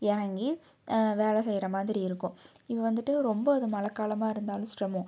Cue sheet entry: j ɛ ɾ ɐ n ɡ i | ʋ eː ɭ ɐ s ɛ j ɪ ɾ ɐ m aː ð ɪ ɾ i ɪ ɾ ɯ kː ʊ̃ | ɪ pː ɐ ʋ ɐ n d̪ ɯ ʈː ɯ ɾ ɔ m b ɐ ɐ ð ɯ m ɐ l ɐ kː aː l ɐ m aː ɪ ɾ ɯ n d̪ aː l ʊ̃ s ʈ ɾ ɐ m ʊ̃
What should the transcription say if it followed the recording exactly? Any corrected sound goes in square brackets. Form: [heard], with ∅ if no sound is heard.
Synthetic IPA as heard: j ɛ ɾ ɐ [ŋ] ɡ i | ʋ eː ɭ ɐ s ɛ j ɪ ɾ ɐ m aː ð ɪ ɾ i ɪ ɾ ɯ kː ʊ̃ | ɪ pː ɐ ʋ ɐ n d̪ ɯ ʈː ɯ ɾ ɔ m b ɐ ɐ ð ɯ m ɐ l ɐ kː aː l ɐ m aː ɪ ɾ ɯ n d̪ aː l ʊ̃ s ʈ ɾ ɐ m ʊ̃